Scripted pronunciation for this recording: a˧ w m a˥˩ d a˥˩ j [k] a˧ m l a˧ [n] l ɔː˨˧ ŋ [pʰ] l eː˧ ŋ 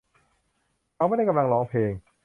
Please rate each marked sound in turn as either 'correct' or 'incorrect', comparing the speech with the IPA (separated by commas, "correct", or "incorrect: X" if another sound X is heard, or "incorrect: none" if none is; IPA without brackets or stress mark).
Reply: correct, incorrect: ŋ, correct